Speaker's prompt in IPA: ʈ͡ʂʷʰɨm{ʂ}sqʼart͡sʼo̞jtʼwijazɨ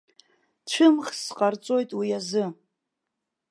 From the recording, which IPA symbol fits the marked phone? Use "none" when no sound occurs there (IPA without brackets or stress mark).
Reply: χ